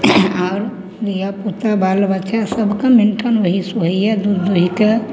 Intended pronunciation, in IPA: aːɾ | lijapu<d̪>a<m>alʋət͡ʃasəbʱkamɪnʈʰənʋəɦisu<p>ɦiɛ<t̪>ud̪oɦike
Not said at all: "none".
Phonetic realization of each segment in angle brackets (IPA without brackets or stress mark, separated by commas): t̪, b, none, d̪